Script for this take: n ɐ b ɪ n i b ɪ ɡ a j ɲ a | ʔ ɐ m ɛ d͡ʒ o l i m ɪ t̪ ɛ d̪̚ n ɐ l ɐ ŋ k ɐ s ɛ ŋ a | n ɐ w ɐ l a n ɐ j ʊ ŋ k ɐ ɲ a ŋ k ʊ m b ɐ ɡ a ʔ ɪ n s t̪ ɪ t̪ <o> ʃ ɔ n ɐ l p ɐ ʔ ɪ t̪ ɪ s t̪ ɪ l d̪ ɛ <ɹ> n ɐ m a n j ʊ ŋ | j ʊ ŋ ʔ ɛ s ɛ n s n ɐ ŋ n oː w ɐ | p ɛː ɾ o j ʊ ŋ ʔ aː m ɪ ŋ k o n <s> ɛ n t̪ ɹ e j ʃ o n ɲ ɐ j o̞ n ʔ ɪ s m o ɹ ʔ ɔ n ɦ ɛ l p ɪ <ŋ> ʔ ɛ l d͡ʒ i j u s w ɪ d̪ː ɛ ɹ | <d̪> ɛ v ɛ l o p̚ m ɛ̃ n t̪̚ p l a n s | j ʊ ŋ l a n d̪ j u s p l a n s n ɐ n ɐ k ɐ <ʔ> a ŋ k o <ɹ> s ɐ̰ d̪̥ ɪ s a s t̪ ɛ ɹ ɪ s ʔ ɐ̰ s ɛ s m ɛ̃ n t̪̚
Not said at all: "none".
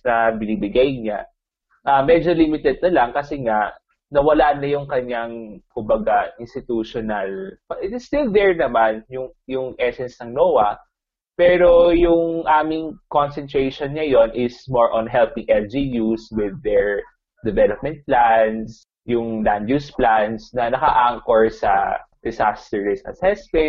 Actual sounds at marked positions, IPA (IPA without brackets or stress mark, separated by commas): u, ɹ, s, ŋ, d̪, ʔ, ɹ